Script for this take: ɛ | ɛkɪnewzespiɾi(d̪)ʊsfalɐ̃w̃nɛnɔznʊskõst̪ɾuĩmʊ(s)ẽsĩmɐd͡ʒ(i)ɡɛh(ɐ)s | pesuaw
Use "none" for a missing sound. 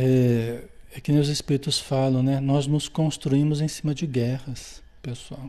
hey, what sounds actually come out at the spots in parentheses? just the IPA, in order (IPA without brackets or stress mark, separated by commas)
t̪, z, ɪ, ɐ